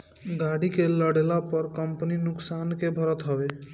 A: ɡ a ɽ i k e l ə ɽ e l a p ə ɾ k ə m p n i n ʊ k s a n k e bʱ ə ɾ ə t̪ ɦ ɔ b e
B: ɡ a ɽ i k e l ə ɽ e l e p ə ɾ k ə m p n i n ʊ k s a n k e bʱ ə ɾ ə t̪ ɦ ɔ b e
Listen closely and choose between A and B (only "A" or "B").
A